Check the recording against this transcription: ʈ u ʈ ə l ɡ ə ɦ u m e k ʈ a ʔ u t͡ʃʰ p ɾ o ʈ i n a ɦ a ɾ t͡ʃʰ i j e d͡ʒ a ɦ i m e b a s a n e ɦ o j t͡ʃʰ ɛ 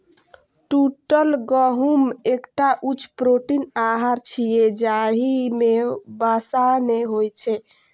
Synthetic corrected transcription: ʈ u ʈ ə l ɡ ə ɦ u m e k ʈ a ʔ u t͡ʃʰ p ɾ o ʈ i n a ɦ a ɾ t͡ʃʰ i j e d͡ʒ a ɦ i m e b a s a n e ɦ o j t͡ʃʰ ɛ